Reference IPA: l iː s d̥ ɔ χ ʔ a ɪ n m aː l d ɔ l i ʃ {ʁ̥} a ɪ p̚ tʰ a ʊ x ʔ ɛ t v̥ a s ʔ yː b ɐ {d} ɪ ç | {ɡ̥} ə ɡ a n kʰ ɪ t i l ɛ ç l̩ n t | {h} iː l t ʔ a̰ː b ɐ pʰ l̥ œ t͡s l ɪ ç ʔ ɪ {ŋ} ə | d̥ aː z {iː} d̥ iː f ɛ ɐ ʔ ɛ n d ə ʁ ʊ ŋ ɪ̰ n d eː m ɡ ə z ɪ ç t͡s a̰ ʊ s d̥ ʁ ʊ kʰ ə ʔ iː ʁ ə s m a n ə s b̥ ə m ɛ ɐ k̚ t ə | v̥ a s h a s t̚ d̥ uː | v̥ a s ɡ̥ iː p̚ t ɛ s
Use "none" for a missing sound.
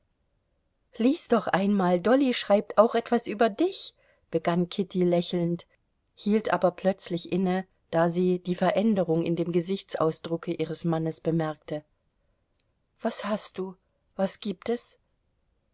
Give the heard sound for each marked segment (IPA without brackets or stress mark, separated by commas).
ʁ̥, d, b̥, h, n, iː